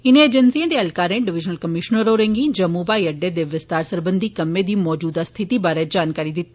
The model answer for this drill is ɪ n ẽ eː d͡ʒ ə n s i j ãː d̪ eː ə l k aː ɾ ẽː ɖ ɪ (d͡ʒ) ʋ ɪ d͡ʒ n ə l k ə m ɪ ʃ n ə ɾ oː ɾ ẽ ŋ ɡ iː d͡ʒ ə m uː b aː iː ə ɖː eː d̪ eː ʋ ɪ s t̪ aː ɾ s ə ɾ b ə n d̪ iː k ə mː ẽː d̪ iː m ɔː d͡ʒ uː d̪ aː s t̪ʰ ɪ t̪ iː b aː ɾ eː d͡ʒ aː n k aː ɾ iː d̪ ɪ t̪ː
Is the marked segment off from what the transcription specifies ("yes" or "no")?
yes